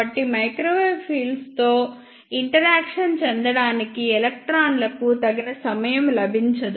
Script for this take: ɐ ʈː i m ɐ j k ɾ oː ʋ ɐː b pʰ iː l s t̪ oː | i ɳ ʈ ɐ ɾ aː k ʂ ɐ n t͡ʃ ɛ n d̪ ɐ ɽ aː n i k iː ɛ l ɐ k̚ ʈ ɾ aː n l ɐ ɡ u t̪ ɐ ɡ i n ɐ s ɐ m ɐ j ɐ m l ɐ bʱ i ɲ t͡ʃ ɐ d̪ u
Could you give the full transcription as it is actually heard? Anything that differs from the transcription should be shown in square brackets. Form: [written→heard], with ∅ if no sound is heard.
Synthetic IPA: ɐ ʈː i m ɐ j k ɾ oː ʋ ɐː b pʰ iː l s t̪ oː | i ɳ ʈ ɐ ɾ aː k ʂ ɐ n t͡ʃ ɛ n d̪ ɐ ɽ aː n i k [iː→i] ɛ l ɐ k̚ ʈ ɾ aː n l ɐ [ɡ→k] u t̪ ɐ ɡ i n ɐ s ɐ m ɐ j ɐ m l ɐ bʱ i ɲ t͡ʃ ɐ d̪ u